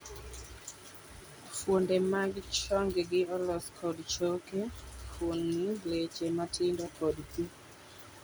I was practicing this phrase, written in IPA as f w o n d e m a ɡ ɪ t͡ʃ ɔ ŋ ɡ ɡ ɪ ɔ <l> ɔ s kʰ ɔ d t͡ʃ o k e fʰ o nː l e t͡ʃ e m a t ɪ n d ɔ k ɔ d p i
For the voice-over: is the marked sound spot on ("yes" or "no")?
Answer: yes